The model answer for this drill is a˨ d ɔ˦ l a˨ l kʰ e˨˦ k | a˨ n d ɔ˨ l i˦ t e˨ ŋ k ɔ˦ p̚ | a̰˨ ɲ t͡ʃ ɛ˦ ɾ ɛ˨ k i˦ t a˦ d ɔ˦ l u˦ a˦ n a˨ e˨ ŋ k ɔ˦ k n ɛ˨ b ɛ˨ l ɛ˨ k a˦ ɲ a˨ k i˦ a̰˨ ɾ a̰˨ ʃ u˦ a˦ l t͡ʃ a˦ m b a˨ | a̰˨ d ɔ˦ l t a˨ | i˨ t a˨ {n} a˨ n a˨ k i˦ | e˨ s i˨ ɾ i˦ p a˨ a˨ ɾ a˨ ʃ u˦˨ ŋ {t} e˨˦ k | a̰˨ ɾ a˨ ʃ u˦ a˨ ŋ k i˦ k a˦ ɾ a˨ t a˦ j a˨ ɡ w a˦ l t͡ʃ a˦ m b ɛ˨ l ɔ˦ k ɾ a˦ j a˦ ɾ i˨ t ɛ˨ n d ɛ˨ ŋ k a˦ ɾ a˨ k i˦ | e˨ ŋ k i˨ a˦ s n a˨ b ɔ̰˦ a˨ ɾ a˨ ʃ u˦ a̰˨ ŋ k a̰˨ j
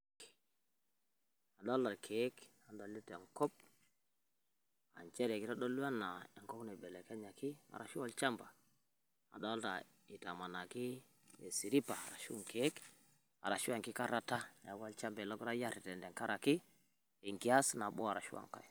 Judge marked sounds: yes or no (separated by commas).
no, no